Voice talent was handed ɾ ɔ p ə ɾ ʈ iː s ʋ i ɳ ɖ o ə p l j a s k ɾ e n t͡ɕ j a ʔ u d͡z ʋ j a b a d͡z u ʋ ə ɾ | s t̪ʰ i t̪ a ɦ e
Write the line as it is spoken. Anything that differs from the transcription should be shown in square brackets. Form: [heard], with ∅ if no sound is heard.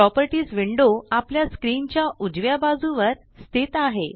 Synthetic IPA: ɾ ɔ p ə ɾ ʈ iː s ʋ i ɳ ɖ o [a] p l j a s k ɾ [i] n t͡ɕ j a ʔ u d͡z ʋ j a b a d͡z u ʋ ə ɾ | s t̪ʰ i t̪ a ɦ e